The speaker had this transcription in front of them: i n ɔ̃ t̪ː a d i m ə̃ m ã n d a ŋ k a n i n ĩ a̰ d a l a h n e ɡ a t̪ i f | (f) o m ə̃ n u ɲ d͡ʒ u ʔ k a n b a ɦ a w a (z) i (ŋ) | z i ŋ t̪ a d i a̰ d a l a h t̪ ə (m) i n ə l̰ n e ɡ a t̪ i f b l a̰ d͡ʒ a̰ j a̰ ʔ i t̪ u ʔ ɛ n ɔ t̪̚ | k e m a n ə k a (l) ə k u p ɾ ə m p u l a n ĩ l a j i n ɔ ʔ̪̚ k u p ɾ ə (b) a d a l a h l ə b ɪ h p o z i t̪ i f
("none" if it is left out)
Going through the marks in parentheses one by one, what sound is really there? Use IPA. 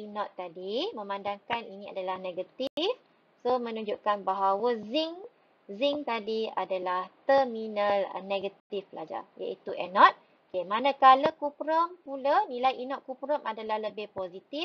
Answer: s, z, ŋ, m, l, m

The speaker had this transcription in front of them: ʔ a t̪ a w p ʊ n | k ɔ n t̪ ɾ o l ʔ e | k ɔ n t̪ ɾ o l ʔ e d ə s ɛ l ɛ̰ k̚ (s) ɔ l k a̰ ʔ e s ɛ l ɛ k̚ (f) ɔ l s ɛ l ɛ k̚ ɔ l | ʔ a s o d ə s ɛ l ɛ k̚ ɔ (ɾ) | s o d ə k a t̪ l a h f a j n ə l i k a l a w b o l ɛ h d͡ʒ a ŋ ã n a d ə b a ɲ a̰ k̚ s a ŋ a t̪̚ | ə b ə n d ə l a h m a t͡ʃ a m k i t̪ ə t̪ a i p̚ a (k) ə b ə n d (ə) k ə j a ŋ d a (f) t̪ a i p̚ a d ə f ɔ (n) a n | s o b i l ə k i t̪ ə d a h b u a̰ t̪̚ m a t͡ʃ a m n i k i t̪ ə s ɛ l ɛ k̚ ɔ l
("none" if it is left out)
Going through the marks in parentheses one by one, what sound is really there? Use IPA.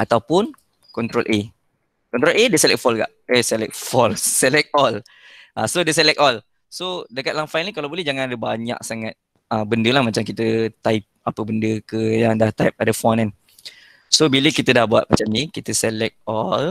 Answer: f, f, l, p, ə, h, n

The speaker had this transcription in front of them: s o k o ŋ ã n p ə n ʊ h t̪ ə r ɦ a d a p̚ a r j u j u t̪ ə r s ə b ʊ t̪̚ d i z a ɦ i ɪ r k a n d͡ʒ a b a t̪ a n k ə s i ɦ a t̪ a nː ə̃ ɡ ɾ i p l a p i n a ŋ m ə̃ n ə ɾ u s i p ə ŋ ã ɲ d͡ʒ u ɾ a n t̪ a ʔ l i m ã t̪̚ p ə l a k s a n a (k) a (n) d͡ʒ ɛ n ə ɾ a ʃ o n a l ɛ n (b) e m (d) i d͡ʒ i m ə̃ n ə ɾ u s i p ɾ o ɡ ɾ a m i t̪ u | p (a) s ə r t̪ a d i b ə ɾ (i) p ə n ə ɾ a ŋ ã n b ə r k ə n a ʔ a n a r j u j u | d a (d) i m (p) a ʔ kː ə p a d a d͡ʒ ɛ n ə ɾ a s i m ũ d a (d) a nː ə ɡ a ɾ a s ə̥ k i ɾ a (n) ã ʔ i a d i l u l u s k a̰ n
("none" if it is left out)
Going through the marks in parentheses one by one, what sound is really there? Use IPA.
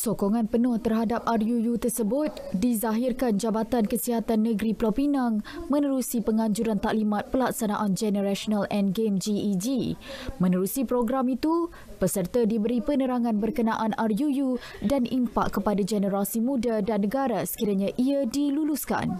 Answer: ʔ, n, ɡ, d͡ʒ, ə, i, n, p, d, ɲ

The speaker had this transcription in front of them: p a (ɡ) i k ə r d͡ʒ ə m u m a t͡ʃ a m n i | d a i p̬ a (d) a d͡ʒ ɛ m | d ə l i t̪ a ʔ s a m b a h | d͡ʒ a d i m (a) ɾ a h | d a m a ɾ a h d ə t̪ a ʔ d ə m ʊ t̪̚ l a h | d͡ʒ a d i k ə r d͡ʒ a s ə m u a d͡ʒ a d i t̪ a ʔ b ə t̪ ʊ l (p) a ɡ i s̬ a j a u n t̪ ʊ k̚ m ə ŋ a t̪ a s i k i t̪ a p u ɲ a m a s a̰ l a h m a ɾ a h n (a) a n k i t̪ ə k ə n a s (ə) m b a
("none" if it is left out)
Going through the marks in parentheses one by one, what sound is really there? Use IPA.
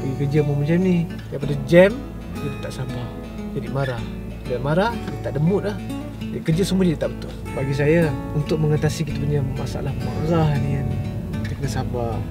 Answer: ɡ, d, a, b, i, a

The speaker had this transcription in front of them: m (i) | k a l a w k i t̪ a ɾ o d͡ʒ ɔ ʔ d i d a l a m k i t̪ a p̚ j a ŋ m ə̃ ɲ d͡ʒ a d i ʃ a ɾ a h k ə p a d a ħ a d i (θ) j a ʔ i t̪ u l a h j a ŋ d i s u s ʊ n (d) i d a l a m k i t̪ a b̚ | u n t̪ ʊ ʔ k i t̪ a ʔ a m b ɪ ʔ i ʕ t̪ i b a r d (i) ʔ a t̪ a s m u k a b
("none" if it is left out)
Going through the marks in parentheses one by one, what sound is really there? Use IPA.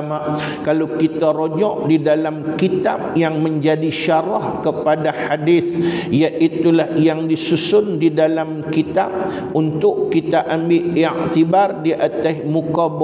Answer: a, θ, d, i

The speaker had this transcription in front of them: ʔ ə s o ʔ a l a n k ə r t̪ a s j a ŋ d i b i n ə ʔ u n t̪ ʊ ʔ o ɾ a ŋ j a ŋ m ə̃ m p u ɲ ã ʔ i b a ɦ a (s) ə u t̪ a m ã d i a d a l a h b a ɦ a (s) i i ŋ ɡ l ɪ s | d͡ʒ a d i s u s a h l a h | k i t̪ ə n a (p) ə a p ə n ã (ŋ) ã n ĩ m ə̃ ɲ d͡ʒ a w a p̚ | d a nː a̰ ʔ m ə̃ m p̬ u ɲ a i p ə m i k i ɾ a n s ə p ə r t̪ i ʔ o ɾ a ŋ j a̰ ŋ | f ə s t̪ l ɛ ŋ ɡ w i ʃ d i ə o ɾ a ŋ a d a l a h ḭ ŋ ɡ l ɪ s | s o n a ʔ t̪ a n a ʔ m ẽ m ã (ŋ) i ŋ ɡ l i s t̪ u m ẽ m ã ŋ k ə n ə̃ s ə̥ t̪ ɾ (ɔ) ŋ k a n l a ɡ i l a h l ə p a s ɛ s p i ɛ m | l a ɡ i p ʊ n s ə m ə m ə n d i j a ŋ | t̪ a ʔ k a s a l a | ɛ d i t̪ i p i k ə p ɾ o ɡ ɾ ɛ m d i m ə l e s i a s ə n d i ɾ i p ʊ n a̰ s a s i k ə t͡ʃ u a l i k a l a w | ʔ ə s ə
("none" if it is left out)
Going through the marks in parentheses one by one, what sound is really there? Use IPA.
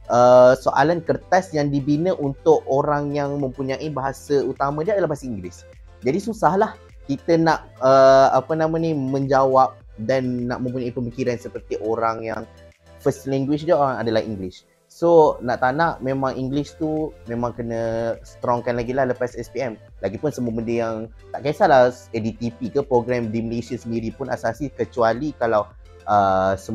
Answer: s, s, ʔ, m, ŋ, ɔ

